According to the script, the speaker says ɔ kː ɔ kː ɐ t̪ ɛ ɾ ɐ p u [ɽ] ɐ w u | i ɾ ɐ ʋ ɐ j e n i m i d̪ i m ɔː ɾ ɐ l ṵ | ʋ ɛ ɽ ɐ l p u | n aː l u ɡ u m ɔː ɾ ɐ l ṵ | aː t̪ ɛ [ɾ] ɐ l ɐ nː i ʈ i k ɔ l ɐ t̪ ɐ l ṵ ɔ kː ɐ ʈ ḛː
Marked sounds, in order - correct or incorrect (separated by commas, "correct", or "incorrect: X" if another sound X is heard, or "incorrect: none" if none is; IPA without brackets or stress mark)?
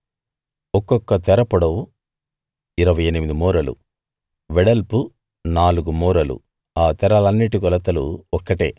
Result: correct, correct